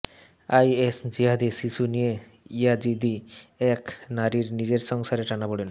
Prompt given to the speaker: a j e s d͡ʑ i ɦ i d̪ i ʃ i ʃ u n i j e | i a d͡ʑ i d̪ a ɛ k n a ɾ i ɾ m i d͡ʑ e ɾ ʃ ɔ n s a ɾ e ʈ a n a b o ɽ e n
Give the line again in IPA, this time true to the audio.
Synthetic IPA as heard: a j e s d͡ʑ i ɦ a d̪ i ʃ i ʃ u n i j e | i a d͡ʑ i d̪ i ɛ k n a ɾ i ɾ n i d͡ʑ e ɾ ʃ ɔ ŋ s a ɾ e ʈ a n a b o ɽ e n